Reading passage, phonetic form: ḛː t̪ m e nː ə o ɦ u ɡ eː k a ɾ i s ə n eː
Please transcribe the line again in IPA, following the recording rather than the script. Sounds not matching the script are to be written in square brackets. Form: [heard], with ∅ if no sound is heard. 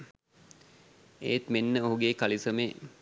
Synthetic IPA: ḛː t̪ m e nː ə o ɦ u ɡ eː k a [l] i s ə [m] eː

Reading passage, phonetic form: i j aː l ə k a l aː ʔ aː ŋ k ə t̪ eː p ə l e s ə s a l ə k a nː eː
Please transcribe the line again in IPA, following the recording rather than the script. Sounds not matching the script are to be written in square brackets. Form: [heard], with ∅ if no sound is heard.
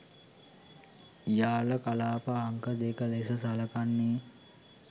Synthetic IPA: i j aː l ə k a l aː [p] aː ŋ k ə [d̪] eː [k] ə l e s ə s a l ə k a nː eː

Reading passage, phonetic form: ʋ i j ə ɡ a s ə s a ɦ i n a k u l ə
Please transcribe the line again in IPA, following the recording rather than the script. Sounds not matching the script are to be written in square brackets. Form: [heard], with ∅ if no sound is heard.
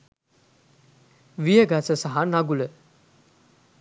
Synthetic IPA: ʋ i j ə ɡ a s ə s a ɦ [a] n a [ɡ] u l ə

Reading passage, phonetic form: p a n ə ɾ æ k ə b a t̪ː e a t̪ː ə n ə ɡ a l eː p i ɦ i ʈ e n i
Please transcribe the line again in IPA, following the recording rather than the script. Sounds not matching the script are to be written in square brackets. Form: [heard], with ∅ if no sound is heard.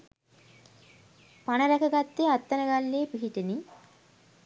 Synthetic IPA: p a n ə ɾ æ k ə [ɡ] a t̪ː e a t̪ː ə n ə ɡ a [lː] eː p i ɦ i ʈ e n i

